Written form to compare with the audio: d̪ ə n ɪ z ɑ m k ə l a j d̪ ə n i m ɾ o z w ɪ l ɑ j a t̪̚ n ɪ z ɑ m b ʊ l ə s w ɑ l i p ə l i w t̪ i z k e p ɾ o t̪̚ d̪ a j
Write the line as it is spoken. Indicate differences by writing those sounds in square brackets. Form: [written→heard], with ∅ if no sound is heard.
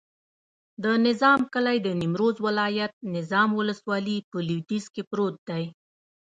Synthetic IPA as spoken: d̪ ə n ɪ z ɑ m k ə l a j d̪ ə n i m ɾ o z w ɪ l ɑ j a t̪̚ n ɪ z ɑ m [b→w] ʊ l ə s w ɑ l i p ə l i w t̪ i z k e p ɾ o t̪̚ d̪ a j